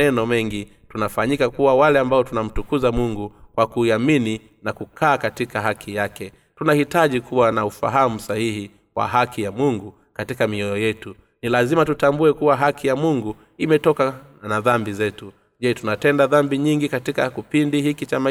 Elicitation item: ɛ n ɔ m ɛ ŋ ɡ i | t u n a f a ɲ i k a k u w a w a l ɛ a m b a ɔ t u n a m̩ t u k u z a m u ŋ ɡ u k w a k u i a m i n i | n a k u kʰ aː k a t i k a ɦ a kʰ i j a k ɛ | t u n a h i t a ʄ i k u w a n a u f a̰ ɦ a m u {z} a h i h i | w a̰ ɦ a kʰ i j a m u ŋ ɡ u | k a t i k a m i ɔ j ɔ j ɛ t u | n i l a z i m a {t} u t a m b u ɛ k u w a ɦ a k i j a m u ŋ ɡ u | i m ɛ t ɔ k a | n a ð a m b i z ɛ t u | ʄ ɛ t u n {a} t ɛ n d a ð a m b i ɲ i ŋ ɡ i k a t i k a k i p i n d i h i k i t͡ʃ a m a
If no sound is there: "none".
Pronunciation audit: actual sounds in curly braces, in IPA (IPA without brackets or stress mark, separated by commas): s, t, a